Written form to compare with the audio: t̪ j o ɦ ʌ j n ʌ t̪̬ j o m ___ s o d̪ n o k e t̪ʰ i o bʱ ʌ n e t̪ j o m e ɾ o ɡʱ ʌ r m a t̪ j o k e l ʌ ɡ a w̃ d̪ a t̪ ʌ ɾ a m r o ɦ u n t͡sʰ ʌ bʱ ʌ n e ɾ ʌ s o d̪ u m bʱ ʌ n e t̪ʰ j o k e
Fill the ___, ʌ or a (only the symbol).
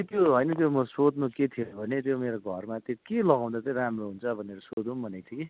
ʌ